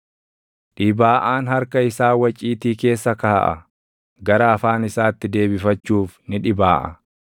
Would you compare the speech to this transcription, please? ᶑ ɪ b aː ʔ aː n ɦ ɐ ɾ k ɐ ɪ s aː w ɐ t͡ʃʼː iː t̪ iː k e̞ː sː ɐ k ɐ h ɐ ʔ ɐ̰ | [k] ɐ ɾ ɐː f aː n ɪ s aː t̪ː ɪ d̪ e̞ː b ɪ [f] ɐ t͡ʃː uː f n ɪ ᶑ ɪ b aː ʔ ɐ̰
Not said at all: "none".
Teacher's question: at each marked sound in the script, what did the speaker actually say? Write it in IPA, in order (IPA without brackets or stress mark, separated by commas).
ɡ, f